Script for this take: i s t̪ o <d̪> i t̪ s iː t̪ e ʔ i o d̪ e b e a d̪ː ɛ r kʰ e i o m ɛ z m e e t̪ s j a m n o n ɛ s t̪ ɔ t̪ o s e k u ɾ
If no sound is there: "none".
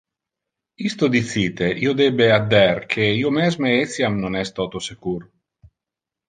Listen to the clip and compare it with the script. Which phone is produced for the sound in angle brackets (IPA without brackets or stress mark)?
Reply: d̪